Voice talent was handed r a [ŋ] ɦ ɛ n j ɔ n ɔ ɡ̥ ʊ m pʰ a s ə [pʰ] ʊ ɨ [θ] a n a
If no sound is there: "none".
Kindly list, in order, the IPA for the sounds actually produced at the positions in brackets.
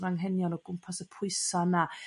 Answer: ŋ, pʰ, s

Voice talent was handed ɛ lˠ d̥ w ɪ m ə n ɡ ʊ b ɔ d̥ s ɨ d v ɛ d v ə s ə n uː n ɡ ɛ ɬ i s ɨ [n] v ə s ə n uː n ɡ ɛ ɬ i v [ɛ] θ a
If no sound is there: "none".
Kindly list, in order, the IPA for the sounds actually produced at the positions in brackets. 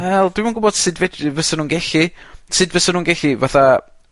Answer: d, a

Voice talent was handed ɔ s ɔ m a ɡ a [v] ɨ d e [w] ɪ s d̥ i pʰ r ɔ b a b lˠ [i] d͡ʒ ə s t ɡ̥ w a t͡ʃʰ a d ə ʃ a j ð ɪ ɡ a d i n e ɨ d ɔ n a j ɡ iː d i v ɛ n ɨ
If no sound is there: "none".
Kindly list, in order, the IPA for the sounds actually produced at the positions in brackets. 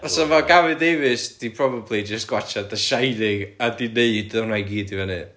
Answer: v, v, i

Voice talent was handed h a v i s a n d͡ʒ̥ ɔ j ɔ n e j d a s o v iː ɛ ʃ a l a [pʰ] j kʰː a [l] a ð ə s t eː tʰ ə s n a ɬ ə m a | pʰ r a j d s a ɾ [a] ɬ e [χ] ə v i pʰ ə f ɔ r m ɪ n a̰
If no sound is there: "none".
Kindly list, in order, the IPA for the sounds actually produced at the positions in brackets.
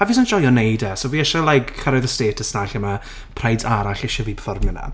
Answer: none, ɾ, a, ʃ

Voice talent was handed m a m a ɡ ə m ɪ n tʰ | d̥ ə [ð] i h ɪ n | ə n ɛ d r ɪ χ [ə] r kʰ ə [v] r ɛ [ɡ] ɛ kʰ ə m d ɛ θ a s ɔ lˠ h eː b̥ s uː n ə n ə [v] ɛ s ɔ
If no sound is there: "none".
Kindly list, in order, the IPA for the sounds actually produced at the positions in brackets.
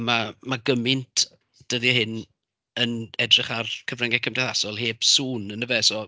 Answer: ð, a, v, ŋ, v

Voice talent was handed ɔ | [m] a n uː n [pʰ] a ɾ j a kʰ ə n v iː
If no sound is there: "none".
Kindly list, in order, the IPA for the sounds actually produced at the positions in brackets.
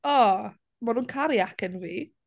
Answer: m, kʰ

